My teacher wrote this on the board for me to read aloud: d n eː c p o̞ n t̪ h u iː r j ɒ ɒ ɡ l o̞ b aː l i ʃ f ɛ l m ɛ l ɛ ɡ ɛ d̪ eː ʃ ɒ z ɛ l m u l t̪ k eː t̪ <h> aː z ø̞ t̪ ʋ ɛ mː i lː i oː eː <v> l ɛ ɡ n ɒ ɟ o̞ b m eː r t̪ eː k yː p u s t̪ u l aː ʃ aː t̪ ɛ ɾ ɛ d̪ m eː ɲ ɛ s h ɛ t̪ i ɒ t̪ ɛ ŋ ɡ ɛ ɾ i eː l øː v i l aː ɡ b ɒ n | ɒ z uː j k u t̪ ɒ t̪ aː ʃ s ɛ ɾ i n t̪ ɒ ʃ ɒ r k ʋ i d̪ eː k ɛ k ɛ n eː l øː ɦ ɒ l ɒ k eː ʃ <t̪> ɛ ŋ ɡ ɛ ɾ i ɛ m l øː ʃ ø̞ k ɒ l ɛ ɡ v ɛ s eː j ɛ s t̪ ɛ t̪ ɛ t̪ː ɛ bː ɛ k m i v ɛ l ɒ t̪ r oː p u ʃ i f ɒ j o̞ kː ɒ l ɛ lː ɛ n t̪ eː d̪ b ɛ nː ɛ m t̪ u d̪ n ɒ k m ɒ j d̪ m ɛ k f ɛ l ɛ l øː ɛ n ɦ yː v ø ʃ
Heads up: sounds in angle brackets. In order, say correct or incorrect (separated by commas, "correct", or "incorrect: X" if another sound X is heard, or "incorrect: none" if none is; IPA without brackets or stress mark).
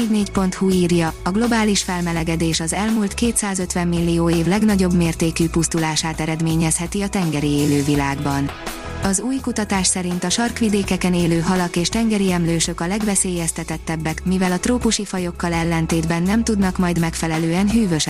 incorrect: s, correct, correct